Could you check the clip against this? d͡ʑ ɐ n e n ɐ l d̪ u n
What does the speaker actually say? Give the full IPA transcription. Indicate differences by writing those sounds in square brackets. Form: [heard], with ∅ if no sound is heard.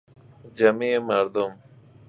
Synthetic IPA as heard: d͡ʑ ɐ [m] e [m] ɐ [ɾ] d̪ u [m]